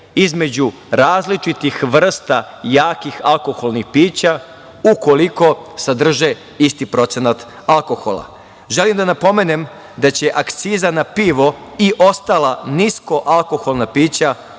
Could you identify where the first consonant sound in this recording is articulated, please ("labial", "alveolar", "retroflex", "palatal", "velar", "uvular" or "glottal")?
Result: alveolar